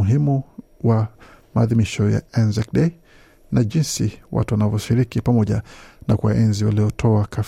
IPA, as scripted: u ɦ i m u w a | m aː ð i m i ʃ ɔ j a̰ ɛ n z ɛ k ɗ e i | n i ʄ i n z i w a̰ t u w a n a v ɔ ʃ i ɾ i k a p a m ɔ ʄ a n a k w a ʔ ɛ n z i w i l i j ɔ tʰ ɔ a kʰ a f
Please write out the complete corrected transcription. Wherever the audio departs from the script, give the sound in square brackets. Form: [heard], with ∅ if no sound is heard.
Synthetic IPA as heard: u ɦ i m u w a | m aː ð i m i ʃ ɔ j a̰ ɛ n z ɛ k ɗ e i | n [a] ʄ i n [s] i w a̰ t u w a n a v ɔ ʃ i ɾ i k [i] p a m ɔ ʄ a n a k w a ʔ ɛ n z i w [a] l i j ɔ tʰ ɔ a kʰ a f